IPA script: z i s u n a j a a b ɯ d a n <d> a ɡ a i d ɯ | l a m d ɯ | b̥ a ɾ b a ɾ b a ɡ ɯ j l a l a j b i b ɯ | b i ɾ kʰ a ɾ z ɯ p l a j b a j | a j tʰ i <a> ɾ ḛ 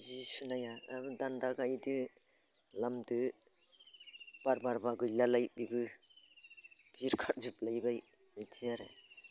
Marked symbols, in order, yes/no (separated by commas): yes, yes